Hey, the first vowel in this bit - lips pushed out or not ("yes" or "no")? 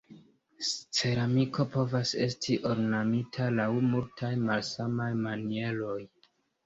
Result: no